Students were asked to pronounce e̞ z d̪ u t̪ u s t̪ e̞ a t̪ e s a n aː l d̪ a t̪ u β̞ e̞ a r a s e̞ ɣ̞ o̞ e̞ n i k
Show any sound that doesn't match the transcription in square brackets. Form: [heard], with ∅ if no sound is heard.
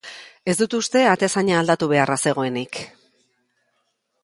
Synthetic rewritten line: e̞ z d̪ u t̪ u s t̪ e̞ a t̪ e s a [ɲ] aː l d̪ a t̪ u β̞ e̞ a r a s e̞ ɣ̞ o̞ e̞ n i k